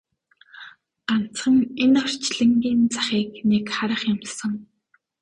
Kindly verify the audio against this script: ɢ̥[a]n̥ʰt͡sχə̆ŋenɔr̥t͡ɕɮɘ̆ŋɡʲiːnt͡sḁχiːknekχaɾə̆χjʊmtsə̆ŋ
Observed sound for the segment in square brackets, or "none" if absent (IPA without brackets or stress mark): a